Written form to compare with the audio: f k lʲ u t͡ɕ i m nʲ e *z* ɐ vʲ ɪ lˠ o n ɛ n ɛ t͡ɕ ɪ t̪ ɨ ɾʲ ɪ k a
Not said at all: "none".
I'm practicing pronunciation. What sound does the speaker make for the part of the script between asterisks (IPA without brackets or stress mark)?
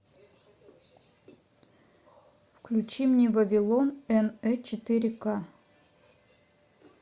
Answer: v